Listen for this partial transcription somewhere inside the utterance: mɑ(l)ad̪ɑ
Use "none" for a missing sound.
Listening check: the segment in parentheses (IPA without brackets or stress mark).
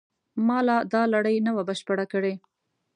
l